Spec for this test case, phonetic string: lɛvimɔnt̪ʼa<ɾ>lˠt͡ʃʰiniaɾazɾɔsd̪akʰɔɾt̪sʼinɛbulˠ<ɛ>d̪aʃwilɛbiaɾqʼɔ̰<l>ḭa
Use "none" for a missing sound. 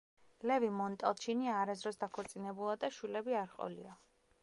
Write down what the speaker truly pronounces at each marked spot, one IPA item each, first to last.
none, a, l

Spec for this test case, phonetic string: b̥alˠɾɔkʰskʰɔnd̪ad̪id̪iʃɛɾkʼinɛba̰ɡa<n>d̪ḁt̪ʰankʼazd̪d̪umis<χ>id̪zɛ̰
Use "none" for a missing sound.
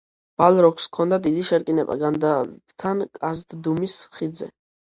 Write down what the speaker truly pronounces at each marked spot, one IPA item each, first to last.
n, χ

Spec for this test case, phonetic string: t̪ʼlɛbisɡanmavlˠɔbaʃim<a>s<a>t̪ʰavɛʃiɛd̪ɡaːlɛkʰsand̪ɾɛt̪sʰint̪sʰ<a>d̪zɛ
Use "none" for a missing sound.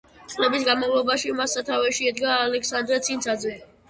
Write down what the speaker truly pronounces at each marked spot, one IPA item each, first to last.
a, a, a

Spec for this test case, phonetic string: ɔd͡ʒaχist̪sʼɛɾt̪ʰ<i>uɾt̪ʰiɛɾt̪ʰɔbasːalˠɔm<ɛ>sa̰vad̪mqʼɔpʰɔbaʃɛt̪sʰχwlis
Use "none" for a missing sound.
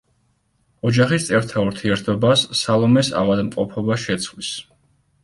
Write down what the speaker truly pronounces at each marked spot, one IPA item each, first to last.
a, ɛ

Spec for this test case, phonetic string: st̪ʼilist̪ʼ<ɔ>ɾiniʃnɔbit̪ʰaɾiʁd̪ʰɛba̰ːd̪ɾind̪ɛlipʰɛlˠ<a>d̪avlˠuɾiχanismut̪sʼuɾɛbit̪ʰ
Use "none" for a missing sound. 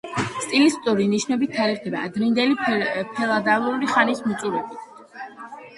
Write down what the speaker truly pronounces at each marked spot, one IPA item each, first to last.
u, a

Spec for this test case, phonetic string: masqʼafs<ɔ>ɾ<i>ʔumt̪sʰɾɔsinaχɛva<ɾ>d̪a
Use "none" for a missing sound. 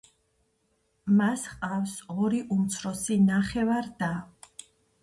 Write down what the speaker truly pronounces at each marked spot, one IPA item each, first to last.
ɔ, i, ɾ

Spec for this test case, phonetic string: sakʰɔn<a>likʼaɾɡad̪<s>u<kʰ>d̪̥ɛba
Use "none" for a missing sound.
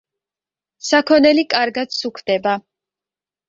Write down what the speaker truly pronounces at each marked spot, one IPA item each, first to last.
ɛ, s, kʰ

